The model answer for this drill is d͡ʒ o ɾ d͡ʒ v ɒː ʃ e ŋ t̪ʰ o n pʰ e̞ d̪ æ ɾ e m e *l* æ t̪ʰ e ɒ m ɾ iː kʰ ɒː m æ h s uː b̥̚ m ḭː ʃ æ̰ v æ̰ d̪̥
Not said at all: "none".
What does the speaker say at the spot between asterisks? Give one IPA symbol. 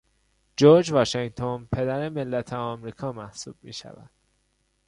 lː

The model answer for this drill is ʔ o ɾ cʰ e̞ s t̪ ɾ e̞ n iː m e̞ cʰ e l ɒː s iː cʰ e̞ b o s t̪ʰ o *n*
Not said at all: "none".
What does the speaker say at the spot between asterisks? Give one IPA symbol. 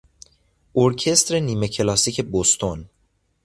n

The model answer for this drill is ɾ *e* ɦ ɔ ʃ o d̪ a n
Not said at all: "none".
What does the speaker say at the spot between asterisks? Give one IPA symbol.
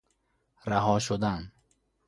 a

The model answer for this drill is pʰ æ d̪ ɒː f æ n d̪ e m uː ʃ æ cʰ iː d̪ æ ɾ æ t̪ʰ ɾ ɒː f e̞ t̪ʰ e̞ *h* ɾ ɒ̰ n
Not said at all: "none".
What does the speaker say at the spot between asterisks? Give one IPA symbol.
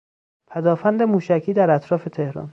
h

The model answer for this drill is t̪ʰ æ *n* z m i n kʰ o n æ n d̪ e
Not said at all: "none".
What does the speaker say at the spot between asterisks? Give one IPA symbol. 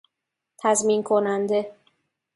none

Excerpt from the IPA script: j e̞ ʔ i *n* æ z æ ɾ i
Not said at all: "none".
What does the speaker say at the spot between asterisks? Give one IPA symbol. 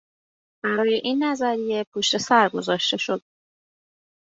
nː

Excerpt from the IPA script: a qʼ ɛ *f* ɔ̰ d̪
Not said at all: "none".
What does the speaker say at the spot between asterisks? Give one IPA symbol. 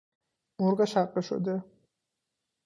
ʃ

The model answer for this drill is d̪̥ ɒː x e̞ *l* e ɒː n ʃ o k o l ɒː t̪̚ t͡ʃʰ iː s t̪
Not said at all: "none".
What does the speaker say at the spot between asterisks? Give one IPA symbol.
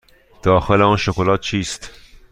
l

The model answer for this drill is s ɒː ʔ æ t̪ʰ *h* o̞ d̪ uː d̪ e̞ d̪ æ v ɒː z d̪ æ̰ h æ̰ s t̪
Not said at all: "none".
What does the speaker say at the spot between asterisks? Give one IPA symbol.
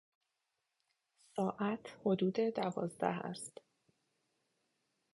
h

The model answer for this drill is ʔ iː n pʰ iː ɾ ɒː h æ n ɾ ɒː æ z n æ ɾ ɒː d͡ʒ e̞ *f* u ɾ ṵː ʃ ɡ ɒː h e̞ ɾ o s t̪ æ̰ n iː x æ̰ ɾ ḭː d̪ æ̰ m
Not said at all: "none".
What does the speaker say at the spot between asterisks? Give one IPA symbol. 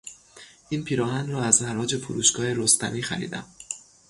f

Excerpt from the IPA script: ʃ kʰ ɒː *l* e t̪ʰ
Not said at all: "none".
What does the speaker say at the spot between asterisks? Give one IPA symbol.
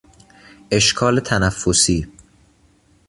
l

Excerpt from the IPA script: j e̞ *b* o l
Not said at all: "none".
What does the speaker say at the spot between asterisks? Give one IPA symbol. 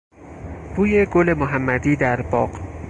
ɡ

